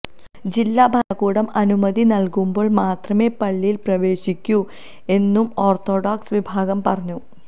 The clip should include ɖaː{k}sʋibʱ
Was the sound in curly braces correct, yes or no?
yes